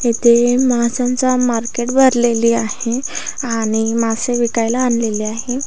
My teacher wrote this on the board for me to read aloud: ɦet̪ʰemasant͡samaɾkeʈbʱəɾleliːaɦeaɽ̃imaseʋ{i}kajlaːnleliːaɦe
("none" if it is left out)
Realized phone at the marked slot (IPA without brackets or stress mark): i